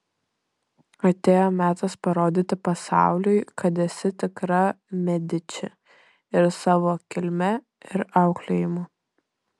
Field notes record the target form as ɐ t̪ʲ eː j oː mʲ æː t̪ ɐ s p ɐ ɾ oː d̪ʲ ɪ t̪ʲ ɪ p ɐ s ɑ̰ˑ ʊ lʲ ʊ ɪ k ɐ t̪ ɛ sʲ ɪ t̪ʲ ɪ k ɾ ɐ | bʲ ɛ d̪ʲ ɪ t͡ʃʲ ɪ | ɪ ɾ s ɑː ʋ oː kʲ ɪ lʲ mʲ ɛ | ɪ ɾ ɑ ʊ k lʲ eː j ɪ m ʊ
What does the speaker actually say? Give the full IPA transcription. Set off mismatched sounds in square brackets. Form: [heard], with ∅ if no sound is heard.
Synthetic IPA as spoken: ɐ t̪ʲ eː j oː mʲ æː t̪ ɐ s p ɐ ɾ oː d̪ʲ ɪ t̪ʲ ɪ p ɐ s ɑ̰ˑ ʊ lʲ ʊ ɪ k ɐ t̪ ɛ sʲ ɪ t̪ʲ ɪ k ɾ ɐ | [mʲ] ɛ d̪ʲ ɪ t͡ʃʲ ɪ | ɪ ɾ s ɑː ʋ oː kʲ ɪ lʲ mʲ ɛ | ɪ ɾ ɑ ʊ k lʲ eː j ɪ m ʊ